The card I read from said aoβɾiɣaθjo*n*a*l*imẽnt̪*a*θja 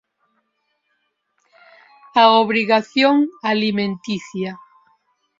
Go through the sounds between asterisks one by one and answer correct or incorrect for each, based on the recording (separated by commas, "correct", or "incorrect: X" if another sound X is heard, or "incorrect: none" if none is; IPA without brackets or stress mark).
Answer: incorrect: ŋ, correct, incorrect: i